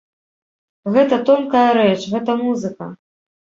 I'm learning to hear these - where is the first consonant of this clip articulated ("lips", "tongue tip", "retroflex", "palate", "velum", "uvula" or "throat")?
velum